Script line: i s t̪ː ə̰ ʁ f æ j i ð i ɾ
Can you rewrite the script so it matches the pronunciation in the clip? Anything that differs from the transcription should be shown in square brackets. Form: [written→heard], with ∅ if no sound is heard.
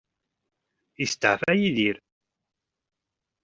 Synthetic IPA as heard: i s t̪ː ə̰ [ʁ→ʕ] f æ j i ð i ɾ